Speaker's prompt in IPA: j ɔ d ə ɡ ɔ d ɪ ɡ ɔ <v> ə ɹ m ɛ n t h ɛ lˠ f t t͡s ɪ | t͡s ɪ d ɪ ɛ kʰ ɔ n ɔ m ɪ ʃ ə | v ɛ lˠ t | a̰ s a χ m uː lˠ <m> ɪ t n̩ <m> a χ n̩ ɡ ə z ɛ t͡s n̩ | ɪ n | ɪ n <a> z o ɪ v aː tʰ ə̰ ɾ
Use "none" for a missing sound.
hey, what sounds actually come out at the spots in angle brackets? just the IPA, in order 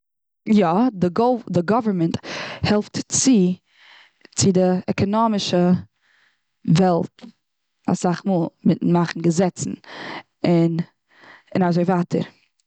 v, m, m, a

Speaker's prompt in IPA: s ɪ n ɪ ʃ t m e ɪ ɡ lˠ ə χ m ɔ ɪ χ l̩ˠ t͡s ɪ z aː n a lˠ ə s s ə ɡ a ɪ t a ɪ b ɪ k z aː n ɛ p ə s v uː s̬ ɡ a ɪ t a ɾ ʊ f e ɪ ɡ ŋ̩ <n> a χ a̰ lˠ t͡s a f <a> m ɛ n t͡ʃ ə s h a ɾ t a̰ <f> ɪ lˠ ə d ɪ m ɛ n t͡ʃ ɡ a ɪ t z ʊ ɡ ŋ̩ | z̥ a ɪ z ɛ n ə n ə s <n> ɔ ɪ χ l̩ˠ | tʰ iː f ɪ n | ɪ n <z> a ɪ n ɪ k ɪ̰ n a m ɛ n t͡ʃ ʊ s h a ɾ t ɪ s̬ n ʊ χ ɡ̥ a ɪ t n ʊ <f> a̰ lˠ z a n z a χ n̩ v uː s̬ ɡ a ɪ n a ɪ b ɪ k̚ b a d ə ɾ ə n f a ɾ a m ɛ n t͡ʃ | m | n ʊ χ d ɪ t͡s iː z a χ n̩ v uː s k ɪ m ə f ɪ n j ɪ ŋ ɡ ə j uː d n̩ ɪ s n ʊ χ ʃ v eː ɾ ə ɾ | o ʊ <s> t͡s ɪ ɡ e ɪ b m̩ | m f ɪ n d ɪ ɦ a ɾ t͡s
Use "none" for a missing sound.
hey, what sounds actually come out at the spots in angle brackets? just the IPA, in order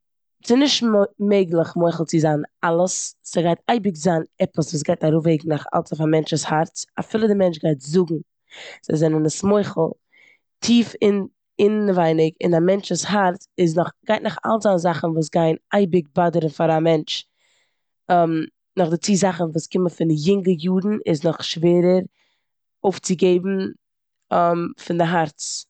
n, a, f, m, v, χ, f

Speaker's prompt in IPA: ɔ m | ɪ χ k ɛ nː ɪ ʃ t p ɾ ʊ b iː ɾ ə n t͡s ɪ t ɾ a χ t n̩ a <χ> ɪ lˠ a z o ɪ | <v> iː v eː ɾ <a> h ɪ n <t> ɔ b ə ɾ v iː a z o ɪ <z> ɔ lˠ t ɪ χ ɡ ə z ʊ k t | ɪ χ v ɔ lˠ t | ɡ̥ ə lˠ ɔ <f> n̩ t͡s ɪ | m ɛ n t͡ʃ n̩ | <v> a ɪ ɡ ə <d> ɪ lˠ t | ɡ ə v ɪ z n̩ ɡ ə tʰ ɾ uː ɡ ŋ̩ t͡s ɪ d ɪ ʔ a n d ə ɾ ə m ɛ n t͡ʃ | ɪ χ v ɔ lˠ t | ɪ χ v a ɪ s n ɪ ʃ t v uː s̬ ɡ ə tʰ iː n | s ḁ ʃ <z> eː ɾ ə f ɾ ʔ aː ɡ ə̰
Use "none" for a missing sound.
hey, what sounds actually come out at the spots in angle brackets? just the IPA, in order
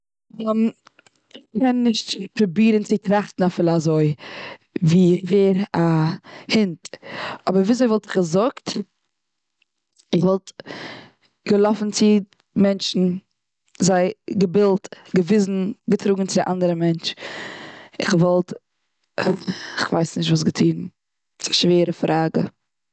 f, v, a, t, v, f, z, b, v

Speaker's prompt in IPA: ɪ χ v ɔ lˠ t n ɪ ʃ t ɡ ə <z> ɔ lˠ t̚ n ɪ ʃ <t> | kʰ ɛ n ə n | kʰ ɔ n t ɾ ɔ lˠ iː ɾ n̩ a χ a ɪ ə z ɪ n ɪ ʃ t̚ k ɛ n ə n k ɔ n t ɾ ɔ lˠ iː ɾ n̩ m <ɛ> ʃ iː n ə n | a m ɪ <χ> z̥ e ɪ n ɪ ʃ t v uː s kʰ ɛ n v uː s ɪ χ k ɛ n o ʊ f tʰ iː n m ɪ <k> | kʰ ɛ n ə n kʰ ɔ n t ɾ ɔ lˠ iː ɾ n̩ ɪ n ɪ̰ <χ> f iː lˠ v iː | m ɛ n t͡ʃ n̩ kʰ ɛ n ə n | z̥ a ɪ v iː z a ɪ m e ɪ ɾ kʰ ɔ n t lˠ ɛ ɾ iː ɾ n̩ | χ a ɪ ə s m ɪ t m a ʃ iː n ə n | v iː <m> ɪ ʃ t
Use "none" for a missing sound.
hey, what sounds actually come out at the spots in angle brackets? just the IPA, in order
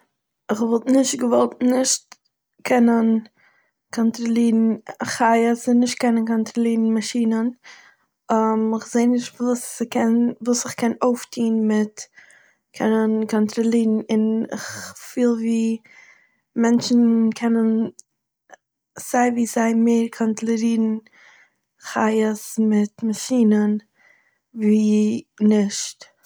v, t, a, χ, t, χ, n

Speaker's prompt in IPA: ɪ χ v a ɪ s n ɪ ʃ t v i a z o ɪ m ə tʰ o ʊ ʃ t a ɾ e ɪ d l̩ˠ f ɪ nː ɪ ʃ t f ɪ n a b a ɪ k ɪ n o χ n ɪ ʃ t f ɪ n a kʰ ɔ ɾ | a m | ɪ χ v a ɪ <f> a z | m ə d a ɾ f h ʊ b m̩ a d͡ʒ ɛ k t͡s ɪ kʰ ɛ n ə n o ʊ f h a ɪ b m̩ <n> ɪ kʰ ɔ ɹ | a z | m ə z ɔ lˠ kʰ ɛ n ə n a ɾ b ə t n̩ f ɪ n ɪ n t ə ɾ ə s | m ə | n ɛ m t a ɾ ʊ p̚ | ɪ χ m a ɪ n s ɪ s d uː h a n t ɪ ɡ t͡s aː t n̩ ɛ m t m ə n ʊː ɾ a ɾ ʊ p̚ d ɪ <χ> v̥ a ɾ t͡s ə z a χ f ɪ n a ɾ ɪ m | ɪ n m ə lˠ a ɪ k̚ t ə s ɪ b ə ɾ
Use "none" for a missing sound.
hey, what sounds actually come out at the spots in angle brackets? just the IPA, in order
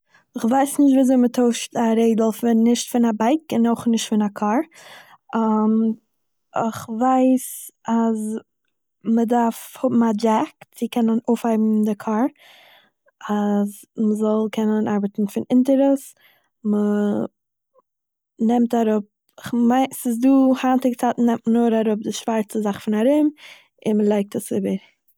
s, d, ʃ

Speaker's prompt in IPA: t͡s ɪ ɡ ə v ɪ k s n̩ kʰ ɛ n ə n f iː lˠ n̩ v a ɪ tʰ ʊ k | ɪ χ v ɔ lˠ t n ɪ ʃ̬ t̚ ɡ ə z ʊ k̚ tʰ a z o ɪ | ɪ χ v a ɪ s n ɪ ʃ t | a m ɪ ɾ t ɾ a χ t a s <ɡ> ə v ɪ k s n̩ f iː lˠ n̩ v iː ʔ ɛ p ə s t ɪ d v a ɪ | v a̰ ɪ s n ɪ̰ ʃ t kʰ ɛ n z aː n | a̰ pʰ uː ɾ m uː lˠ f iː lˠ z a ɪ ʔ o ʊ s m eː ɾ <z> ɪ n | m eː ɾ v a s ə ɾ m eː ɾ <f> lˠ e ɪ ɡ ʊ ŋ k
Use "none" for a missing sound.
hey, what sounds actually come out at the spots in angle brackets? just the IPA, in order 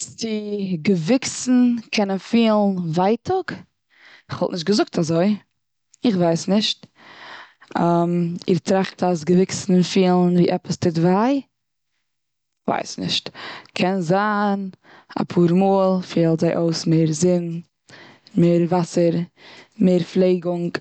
ɡ, z, f

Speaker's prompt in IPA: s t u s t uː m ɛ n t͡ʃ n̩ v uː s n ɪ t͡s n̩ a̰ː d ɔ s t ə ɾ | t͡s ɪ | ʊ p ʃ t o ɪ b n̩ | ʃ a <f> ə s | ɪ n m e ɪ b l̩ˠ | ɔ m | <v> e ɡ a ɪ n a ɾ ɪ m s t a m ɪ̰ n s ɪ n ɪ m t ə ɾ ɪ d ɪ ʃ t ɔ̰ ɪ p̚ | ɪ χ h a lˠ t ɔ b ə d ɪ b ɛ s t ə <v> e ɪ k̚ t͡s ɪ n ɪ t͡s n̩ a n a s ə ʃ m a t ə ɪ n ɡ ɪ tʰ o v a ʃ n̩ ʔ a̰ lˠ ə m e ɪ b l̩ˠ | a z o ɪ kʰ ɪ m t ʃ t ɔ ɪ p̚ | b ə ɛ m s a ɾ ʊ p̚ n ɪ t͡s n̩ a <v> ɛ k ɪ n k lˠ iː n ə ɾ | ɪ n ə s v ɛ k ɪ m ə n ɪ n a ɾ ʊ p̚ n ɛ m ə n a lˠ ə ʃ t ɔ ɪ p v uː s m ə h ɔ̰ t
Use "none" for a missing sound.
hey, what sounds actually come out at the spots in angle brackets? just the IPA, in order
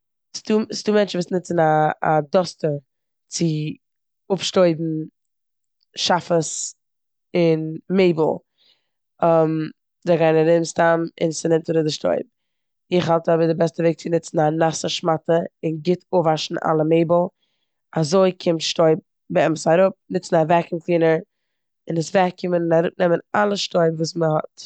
f, z, v, v

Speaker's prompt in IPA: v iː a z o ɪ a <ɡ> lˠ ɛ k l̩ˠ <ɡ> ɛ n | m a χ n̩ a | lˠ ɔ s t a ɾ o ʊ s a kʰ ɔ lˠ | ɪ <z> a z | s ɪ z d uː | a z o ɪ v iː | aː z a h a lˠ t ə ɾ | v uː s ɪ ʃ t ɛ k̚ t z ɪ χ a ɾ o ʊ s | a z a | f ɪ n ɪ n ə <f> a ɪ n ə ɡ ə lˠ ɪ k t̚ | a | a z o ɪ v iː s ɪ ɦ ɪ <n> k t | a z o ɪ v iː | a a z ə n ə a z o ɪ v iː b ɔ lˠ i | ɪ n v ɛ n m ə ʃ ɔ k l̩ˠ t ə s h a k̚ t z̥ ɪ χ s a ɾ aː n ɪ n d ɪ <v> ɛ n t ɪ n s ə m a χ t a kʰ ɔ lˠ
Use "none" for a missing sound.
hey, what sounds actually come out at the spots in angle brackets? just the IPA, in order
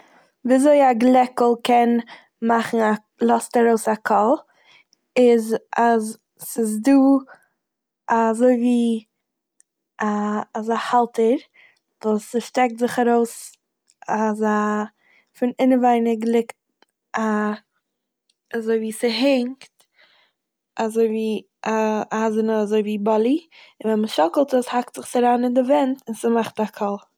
ɡ, k, z, v, ŋ, v

